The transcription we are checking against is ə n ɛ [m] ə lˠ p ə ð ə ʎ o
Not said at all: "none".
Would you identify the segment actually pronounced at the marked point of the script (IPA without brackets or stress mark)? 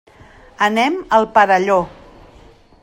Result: m